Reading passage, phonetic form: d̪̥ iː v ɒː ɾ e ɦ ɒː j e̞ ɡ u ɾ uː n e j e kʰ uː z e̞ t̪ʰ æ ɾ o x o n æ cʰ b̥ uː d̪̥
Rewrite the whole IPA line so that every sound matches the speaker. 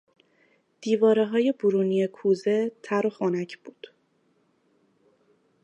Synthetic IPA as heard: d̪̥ iː v ɒː ɾ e ɦ ɒː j e̞ b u ɾ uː n i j e kʰ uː z e̞ t̪ʰ æ ɾ o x o n æ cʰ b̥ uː d̪̥